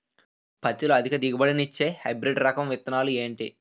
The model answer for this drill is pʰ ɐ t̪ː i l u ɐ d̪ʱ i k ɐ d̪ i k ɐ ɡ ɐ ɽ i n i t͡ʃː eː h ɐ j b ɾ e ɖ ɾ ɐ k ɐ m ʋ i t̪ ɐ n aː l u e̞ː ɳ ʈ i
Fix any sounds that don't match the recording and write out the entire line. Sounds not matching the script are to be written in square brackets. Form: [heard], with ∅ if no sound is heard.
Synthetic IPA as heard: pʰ ɐ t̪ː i l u ɐ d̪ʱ i k ɐ d̪ i [ɡ] ɐ [b] ɐ ɽ i n i t͡ʃː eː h ɐ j b ɾ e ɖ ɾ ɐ k ɐ m ʋ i t̪ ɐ n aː l u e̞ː ɳ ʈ i